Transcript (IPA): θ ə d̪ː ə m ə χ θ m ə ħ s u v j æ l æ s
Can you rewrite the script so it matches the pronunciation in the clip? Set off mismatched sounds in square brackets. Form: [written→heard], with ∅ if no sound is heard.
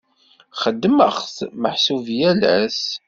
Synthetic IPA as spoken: [θ→χ] ə d̪ː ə m ə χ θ m ə ħ s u v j æ l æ s